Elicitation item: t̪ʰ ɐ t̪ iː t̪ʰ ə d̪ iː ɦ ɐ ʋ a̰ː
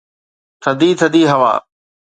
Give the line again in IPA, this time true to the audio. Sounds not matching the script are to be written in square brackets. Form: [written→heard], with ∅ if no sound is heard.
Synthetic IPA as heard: t̪ʰ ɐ [t̪→d̪] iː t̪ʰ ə d̪ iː ɦ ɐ ʋ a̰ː